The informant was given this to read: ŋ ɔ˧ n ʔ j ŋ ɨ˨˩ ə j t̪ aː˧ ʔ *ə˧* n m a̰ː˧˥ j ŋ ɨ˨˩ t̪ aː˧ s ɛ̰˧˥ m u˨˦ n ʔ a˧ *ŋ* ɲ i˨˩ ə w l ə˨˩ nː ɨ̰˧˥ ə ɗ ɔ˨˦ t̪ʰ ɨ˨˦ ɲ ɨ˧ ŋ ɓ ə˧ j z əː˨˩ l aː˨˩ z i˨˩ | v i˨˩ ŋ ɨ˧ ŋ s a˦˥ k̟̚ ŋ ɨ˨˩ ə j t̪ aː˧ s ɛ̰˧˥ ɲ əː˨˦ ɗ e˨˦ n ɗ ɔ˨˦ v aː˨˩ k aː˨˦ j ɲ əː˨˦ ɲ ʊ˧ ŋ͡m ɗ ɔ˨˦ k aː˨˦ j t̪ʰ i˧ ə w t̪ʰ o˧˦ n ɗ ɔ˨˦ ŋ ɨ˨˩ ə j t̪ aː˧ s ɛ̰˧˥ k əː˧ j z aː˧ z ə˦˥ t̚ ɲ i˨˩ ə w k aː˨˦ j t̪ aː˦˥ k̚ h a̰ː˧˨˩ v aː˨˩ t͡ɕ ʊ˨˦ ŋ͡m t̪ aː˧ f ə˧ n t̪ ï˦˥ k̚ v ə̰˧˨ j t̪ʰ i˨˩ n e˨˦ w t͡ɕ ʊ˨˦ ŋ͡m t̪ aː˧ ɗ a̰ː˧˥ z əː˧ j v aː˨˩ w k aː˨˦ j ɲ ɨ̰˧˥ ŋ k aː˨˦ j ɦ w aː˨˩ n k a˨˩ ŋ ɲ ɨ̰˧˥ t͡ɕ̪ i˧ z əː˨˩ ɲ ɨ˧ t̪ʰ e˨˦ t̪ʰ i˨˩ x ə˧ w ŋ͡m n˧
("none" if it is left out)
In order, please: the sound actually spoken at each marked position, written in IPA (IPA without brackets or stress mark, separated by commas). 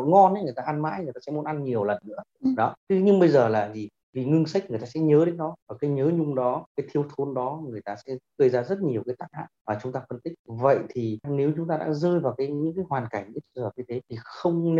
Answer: a˧, n